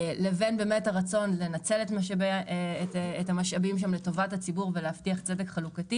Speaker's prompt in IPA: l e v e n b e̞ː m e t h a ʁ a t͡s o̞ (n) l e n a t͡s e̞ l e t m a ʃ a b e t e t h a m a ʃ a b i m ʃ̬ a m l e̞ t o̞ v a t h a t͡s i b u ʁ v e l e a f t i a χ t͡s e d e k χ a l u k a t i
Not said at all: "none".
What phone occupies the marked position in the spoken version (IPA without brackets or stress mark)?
n